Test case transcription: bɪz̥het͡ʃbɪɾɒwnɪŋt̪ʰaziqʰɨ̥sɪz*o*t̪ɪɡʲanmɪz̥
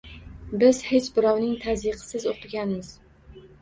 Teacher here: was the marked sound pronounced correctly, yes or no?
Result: yes